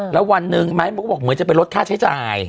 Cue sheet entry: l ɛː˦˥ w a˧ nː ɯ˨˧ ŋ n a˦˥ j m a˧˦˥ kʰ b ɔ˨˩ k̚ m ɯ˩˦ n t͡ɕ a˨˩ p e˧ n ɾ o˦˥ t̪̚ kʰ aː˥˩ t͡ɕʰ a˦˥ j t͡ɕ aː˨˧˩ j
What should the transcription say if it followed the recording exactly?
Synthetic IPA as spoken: l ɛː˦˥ w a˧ nː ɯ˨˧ ŋ m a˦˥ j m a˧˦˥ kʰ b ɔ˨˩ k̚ m ɯ˩˦ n t͡ɕ a˨˩ p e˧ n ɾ o˦˥ t̪̚ kʰ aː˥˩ t͡ɕʰ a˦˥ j t͡ɕ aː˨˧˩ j